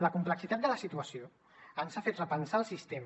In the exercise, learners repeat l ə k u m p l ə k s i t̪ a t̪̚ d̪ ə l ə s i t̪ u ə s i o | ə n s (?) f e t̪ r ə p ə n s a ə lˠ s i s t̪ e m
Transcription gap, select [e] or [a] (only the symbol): a